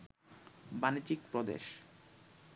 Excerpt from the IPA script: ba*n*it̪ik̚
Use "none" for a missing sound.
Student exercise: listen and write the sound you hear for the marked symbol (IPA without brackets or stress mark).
n